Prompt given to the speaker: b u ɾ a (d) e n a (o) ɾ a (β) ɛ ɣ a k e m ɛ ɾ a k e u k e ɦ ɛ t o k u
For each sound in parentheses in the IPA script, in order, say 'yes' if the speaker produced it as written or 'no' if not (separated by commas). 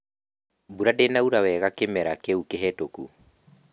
yes, no, no